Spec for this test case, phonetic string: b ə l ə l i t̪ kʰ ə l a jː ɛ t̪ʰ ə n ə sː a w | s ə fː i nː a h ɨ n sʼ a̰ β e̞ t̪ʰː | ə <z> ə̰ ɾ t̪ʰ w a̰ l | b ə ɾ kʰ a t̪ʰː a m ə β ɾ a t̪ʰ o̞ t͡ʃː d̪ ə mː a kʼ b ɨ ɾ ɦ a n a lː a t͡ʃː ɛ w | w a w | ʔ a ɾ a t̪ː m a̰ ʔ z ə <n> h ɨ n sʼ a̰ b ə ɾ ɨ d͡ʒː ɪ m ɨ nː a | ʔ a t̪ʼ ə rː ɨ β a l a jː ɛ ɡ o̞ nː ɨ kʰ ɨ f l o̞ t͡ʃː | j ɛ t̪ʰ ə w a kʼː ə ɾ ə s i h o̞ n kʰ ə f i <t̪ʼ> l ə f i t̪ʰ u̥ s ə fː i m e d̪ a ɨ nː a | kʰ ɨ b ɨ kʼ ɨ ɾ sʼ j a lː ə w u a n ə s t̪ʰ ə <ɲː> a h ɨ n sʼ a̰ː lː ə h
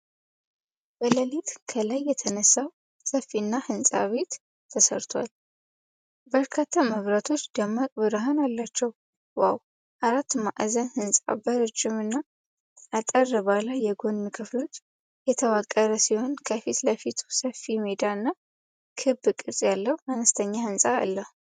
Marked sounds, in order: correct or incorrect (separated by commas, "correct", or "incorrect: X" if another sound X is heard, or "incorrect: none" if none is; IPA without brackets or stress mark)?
incorrect: s, correct, incorrect: t̪, correct